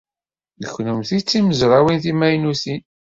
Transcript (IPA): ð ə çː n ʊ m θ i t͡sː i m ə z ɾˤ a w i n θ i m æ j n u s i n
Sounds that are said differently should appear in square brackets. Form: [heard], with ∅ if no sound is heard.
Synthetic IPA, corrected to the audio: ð ə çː n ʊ m θ i t͡sː i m ə z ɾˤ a w i n θ i m æ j n u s i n